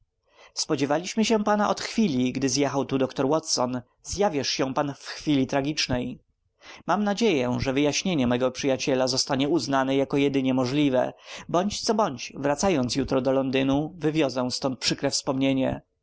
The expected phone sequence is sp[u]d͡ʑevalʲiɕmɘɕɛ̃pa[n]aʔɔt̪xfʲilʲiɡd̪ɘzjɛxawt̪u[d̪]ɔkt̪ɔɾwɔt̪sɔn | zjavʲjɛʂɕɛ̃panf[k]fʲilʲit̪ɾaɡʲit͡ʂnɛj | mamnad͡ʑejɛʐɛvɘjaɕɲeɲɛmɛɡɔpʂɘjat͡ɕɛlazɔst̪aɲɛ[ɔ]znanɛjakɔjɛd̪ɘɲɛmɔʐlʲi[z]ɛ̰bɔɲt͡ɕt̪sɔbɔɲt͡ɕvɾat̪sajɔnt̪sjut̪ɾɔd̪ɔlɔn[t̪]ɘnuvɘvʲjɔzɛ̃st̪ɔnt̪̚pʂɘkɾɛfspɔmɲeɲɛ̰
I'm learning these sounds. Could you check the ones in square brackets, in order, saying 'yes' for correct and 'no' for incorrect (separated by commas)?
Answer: no, yes, yes, no, no, no, no